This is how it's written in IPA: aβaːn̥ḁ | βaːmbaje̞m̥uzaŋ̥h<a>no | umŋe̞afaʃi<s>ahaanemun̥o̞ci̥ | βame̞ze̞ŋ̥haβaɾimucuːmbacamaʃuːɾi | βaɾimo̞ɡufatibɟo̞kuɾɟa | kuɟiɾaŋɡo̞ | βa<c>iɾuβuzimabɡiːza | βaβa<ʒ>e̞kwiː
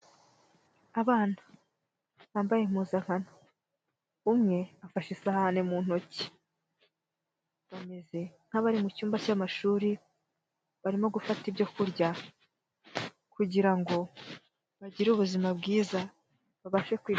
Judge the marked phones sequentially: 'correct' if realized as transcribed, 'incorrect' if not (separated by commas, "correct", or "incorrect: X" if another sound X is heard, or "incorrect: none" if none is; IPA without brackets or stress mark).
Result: correct, correct, incorrect: ɟ, incorrect: ʃ